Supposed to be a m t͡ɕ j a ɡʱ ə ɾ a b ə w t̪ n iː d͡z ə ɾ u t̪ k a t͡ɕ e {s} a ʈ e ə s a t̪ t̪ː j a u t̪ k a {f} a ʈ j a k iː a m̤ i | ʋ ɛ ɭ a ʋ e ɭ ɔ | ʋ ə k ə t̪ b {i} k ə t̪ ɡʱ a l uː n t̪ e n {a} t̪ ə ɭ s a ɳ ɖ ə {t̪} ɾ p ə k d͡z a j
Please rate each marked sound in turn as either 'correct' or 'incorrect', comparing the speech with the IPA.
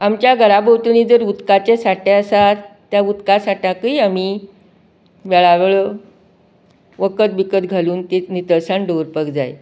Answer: correct, incorrect: s, correct, incorrect: i, incorrect: none

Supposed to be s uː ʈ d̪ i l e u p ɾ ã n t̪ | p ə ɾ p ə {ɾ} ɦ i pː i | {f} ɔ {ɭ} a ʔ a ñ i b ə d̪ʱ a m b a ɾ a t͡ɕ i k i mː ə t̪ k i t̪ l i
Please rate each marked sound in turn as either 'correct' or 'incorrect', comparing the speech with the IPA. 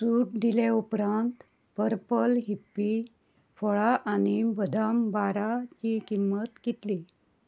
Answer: incorrect: l, correct, correct

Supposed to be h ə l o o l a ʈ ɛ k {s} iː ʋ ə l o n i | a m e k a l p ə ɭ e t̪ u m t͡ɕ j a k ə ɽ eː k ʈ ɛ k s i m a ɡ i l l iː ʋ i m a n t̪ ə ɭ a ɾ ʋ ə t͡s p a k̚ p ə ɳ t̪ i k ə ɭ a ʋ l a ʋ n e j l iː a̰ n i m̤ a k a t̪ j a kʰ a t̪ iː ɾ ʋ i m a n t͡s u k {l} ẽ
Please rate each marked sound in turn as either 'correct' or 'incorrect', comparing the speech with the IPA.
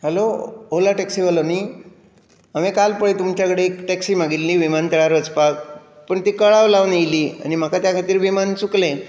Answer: correct, correct

